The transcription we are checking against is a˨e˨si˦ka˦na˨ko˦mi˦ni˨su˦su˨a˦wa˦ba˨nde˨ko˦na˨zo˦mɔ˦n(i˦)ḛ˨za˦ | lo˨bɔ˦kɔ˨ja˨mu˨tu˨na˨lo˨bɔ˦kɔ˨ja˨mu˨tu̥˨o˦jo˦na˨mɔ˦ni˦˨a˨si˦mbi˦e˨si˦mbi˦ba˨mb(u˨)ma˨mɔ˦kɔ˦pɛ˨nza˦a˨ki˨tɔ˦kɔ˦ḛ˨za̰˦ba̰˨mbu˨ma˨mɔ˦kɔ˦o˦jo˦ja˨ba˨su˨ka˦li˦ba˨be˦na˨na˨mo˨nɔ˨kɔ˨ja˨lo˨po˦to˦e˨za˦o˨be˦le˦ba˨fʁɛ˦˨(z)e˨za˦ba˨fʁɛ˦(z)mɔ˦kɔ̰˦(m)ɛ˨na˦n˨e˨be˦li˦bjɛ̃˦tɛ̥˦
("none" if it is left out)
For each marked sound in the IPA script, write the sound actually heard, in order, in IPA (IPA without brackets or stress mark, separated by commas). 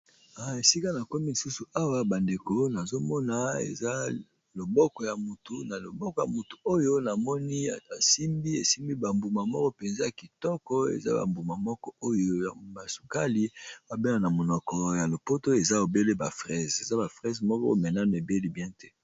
a˦, u˨, z, z, m